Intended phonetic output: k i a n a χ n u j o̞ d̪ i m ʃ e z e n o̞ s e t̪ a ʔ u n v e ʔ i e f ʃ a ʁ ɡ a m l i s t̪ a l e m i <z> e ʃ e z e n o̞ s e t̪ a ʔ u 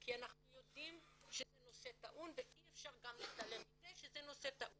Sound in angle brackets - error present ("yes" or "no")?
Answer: no